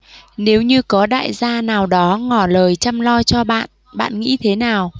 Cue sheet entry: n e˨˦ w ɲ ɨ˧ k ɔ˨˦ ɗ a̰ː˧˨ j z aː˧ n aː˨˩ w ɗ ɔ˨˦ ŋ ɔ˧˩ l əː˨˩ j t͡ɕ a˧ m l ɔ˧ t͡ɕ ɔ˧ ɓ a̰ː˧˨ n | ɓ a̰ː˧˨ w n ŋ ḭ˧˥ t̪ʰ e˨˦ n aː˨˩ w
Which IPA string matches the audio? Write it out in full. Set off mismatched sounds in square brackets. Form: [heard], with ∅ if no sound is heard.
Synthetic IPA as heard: n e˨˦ w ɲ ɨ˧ k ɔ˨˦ ɗ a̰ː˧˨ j z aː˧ n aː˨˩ w ɗ ɔ˨˦ ŋ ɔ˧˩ l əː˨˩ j t͡ɕ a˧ m l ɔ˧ t͡ɕ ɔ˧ ɓ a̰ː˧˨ n | ɓ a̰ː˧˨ [∅] n ŋ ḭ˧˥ t̪ʰ e˨˦ n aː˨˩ w